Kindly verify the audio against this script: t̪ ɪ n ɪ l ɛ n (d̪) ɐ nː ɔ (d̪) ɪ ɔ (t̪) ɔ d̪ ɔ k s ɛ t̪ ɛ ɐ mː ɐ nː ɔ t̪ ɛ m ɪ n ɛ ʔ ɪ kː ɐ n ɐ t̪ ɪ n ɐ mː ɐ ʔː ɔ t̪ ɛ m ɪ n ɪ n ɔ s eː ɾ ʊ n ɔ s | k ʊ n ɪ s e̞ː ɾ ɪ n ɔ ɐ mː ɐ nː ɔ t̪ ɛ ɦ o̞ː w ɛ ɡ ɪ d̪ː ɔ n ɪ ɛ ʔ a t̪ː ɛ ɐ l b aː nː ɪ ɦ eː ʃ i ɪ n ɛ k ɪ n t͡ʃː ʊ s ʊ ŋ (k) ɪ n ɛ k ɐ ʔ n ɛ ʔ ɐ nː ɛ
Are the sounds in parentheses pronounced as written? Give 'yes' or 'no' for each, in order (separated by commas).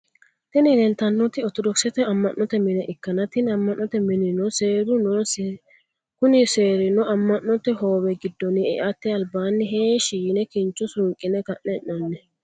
no, no, yes, no